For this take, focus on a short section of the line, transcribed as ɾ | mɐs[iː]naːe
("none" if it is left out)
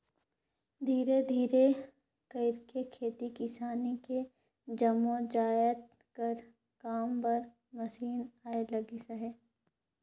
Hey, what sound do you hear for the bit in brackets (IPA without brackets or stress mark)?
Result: iː